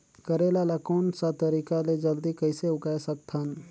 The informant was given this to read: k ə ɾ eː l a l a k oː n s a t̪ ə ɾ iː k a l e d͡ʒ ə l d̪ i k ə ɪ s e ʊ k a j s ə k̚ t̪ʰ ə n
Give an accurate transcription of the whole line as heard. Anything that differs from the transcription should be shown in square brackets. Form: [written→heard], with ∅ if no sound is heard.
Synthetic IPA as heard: k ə ɾ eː l a l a k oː n s a t̪ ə ɾ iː k a l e d͡ʒ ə l d̪ i k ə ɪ s e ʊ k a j s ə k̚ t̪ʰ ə n